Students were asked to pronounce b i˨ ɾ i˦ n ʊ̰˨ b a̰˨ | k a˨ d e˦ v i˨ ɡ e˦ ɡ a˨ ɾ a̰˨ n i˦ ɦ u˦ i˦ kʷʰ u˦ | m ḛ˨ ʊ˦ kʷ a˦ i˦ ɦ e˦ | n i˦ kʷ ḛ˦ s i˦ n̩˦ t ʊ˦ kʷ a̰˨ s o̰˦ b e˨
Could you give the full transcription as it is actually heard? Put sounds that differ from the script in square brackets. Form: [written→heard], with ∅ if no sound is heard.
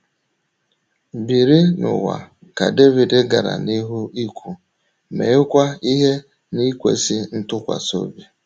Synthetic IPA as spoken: b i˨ ɾ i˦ n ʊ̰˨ [b→w] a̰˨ | k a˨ d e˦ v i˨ [ɡ→d] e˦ ɡ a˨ ɾ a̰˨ n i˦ ɦ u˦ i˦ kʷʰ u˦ | m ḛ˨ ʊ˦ kʷ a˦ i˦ ɦ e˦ | n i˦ kʷ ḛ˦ s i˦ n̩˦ t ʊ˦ kʷ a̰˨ s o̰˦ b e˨